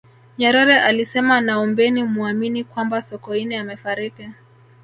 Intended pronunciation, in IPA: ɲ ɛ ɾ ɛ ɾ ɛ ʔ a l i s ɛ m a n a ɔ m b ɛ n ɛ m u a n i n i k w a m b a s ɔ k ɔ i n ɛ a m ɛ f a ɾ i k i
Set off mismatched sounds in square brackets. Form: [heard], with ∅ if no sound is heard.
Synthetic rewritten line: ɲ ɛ ɾ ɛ ɾ ɛ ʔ a l i s ɛ m a n a ɔ m b ɛ n [i] m u a [m] i n i k w a m b a s ɔ k ɔ i n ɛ a m ɛ f a ɾ i k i